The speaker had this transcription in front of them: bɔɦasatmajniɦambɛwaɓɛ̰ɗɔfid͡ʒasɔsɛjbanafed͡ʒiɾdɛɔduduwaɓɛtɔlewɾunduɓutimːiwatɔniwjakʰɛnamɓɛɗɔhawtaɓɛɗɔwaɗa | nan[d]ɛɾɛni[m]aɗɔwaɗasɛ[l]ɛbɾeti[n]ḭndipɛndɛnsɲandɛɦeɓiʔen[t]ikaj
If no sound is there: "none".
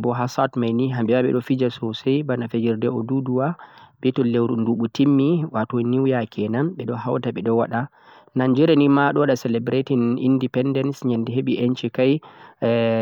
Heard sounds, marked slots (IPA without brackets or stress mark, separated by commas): d͡ʒ, m, l, n, t͡ʃ